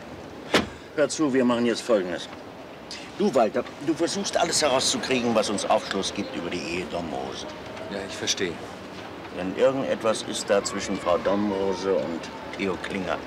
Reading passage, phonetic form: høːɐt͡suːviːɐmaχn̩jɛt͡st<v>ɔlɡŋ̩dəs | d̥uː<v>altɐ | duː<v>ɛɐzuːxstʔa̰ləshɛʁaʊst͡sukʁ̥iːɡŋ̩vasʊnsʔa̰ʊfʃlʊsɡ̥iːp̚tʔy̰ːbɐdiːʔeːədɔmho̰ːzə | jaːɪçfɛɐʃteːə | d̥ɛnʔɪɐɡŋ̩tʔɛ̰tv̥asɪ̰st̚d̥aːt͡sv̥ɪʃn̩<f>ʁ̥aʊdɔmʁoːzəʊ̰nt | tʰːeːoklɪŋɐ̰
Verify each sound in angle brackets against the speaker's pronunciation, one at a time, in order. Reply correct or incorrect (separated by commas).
incorrect, correct, incorrect, correct